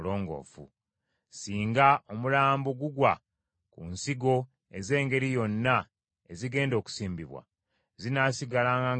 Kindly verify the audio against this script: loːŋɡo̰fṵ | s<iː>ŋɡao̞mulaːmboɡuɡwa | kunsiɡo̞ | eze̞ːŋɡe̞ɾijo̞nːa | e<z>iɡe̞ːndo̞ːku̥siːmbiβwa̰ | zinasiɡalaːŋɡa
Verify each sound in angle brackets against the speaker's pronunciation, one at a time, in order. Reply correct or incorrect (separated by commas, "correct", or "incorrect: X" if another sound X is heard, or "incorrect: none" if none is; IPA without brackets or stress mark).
correct, correct